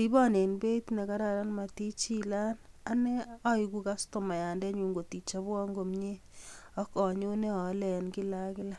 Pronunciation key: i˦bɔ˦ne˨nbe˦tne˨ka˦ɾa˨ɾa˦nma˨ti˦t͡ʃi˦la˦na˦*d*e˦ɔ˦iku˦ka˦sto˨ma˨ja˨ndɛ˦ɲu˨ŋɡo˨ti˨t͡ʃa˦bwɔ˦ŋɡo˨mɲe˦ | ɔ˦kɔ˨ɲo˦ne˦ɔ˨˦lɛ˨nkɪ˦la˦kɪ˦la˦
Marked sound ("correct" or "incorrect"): incorrect